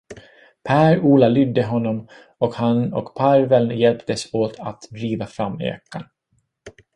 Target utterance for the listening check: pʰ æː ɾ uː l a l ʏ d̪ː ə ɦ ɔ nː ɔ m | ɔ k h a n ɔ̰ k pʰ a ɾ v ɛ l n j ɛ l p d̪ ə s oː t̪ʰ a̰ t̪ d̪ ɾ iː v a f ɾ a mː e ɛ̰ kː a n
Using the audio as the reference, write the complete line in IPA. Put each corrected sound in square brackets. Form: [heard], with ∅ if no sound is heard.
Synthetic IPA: pʰ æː ɾ uː l a l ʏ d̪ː ə ɦ ɔ nː ɔ m | ɔ k h a n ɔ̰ k pʰ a ɾ v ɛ l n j ɛ l p [t̪] ə s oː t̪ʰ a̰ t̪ d̪ ɾ iː v a f ɾ a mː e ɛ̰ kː a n